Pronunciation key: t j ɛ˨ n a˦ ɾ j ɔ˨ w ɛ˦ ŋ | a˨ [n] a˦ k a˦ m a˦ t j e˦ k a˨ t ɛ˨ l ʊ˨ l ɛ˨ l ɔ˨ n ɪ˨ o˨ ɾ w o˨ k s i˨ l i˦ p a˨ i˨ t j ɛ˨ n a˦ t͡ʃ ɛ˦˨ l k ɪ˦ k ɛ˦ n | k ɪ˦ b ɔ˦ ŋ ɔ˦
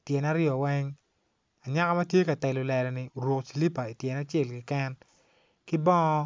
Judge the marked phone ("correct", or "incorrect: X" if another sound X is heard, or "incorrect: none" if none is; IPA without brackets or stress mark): incorrect: ɲ